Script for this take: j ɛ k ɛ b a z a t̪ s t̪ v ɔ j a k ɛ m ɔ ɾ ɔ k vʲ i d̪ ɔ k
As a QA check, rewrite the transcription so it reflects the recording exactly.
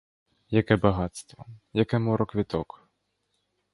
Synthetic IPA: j a k ɛ b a ɣ a t̪ s t̪ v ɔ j a k ɛ m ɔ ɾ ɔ k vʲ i t̪ ɔ k